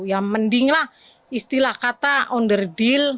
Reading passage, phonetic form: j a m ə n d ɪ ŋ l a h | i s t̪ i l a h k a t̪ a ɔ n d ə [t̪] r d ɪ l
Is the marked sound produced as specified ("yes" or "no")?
no